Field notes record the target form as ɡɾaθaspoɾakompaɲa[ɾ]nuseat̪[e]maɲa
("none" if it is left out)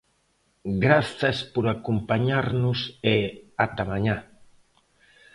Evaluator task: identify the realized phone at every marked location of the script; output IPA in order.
ɾ, a

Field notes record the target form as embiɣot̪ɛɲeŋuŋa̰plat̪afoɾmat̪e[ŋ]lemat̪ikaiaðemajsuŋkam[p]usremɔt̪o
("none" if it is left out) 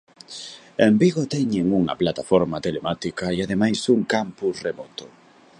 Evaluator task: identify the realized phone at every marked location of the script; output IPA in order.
none, p

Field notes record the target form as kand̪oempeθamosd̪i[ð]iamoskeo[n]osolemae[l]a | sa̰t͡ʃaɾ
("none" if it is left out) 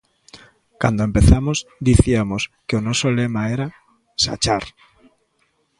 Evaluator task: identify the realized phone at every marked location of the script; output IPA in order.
θ, n, ɾ

